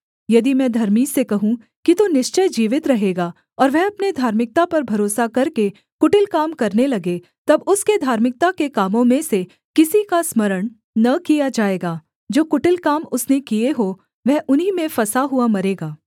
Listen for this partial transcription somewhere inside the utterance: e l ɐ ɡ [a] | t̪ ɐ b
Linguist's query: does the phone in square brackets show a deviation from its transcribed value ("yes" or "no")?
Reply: yes